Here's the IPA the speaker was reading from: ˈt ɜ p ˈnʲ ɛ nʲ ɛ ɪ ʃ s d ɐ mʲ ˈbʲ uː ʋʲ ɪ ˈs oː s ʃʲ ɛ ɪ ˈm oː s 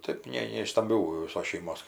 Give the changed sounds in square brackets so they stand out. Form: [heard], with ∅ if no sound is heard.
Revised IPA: ˈt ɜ p ˈnʲ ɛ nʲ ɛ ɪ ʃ s [t] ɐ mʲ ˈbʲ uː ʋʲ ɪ ˈs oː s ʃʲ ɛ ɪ ˈm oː s